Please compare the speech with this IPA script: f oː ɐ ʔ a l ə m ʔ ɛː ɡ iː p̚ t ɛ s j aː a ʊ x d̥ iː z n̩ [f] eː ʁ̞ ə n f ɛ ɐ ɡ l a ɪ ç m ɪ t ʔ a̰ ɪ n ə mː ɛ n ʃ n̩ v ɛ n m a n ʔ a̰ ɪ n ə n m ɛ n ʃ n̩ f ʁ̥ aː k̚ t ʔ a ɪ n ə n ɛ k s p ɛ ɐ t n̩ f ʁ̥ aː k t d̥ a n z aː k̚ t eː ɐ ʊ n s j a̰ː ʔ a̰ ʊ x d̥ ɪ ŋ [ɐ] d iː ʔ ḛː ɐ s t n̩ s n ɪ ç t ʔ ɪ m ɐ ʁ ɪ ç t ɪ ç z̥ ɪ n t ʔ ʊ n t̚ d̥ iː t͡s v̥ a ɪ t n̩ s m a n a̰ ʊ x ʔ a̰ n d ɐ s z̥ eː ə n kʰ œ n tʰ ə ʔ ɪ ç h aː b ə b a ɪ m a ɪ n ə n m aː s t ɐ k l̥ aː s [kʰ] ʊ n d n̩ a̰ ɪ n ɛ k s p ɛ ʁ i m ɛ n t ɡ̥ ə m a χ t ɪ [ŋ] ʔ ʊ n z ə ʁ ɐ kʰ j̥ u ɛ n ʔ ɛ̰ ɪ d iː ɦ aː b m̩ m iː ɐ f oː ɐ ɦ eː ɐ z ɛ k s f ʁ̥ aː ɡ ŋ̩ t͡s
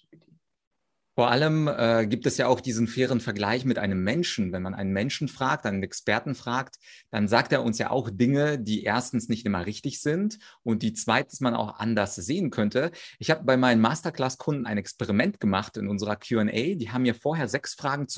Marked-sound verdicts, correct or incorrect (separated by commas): correct, incorrect, correct, incorrect